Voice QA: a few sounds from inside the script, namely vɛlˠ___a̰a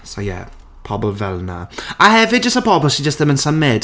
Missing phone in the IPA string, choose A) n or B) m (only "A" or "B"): A